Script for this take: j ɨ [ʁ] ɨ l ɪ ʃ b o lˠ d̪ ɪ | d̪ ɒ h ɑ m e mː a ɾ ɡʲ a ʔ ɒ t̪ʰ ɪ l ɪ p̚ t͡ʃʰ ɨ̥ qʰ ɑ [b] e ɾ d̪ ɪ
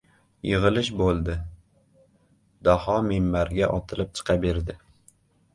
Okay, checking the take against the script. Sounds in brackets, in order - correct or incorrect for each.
correct, correct

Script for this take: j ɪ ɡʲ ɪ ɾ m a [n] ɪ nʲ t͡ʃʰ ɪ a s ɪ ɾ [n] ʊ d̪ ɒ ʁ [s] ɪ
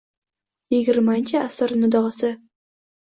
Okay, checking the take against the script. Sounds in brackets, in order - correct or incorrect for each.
incorrect: none, correct, correct

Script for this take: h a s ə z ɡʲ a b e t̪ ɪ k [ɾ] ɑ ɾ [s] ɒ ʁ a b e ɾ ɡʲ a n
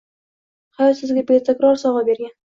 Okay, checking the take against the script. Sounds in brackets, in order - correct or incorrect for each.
correct, correct

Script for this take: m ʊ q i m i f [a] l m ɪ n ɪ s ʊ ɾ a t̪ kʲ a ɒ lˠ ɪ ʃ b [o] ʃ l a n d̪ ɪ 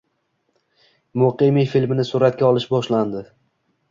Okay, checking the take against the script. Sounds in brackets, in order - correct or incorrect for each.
incorrect: i, incorrect: ɒ

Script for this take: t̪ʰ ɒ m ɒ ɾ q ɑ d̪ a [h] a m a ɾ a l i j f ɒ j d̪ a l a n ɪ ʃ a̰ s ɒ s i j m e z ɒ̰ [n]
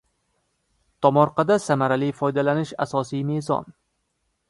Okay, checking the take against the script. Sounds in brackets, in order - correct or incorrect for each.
incorrect: s, correct

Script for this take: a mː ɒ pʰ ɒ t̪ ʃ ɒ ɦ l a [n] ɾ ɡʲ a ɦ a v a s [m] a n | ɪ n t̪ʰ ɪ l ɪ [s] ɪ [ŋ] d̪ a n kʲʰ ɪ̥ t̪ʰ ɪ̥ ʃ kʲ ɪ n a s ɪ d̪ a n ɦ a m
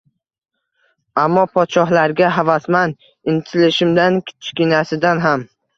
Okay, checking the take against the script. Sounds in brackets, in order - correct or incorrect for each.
incorrect: none, correct, incorrect: ʃ, incorrect: m

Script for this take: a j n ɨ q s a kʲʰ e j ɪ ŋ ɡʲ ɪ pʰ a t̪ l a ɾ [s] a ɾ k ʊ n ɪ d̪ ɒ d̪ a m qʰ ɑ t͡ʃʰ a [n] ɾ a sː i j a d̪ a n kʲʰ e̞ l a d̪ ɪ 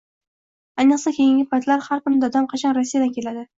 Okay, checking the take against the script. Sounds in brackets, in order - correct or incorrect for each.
incorrect: h, correct

